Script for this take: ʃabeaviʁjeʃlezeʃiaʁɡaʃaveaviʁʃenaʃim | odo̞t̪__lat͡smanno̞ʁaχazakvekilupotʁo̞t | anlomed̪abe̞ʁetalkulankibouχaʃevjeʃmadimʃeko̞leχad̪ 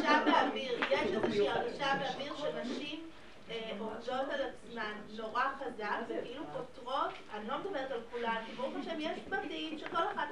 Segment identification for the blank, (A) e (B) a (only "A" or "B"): B